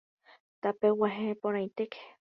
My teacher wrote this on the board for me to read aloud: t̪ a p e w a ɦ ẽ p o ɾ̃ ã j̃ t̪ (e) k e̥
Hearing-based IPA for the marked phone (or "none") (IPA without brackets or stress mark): e